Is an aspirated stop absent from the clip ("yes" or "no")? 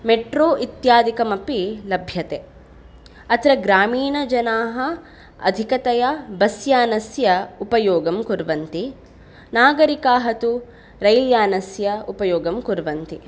yes